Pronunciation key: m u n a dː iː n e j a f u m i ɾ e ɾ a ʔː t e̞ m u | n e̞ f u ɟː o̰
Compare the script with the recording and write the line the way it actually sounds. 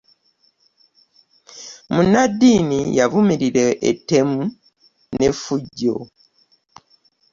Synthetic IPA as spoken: m u n a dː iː n i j a v u m i ɾ i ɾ e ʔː t e̞ m u | n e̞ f u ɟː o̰

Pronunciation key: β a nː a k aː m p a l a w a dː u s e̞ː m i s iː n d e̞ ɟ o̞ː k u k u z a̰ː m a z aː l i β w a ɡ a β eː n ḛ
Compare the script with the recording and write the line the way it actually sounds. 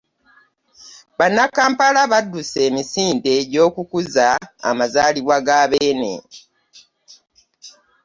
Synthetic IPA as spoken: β a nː a k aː m p a l a β a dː u s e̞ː m i s iː n d e̞ ɟ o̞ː k u k u z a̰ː m a z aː l i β w a ɡ a β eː n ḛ

